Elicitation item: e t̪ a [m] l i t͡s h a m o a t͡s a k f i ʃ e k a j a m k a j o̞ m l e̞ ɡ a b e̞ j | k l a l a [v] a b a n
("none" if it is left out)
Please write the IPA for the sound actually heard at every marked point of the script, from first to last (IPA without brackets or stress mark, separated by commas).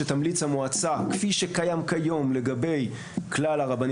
m, ʁ